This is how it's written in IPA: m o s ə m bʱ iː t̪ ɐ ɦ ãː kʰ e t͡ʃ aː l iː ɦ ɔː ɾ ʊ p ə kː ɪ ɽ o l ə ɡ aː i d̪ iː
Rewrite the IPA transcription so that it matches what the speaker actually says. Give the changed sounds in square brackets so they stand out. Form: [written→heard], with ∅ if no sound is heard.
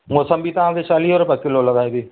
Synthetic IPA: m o s ə m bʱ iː t̪ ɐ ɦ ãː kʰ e t͡ʃ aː l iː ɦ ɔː ɾ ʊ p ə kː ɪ [ɽ→l] o l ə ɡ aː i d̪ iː